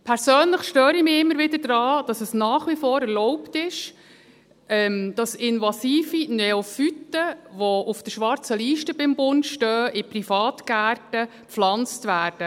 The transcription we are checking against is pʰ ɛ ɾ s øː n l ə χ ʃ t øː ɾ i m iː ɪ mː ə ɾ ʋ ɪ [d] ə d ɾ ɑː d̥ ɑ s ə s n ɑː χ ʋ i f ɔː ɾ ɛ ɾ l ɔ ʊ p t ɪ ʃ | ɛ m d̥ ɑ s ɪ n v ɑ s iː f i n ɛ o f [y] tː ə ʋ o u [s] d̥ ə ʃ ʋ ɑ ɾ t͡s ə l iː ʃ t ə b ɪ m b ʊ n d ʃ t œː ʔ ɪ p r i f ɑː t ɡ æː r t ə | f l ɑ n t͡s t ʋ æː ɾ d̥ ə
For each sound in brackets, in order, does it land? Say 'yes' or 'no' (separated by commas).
yes, yes, no